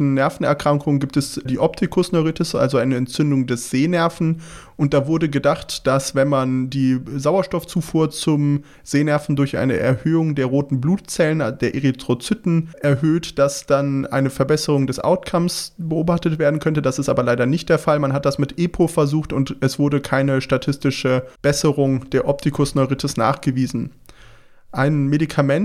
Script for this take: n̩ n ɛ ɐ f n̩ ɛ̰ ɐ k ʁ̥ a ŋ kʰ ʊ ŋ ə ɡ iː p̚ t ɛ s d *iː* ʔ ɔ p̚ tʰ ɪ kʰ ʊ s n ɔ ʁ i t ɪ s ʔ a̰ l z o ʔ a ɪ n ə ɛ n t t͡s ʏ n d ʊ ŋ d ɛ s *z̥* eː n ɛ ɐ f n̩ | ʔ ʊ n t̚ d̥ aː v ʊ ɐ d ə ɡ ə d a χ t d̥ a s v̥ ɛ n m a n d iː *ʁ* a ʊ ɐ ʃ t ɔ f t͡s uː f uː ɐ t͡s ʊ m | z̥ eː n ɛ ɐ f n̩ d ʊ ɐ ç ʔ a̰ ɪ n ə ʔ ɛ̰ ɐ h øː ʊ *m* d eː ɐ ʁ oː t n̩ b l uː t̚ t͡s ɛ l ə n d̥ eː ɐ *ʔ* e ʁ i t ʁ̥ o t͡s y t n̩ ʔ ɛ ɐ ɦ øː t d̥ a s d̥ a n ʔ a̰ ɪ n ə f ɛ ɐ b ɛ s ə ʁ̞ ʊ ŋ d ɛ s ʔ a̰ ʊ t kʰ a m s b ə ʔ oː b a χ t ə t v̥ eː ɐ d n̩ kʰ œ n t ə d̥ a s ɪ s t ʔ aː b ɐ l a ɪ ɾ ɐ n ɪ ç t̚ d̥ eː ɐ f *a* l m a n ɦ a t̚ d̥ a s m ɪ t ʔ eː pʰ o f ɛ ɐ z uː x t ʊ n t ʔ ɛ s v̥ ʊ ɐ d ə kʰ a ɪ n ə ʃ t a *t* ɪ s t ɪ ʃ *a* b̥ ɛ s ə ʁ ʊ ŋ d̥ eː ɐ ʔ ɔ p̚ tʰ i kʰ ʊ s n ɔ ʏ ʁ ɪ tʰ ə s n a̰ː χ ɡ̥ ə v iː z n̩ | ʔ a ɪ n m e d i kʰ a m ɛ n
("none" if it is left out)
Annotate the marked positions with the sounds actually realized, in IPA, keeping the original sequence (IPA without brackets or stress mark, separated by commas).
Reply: iː, z̥, z, ŋ, ʔ, a, tʰ, ə